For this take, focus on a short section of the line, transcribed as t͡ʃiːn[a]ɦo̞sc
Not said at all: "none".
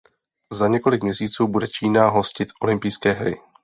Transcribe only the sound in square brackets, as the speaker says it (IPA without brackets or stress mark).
a